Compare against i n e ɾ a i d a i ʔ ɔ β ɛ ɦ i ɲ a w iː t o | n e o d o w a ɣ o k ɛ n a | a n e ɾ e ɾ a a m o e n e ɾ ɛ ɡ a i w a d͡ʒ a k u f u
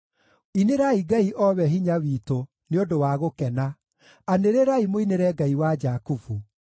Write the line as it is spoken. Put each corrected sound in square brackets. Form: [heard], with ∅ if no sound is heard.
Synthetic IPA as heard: i n e ɾ a i [ɡ] a i ʔ ɔ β ɛ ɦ i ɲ a w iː t o | n e o d o w a ɣ o k ɛ n a | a n e ɾ e ɾ a [i] m o [i] n e ɾ ɛ ɡ a i w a d͡ʒ a k u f u